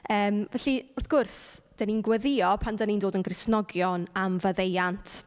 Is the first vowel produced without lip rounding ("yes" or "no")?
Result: yes